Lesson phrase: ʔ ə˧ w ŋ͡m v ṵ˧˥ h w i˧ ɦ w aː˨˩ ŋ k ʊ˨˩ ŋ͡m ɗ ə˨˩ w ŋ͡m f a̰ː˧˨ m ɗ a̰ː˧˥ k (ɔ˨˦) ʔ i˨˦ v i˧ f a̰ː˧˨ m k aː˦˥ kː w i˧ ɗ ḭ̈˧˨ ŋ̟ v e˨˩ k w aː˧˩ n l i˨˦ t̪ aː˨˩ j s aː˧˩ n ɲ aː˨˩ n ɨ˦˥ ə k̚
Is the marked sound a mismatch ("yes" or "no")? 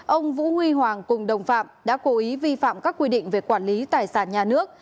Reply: yes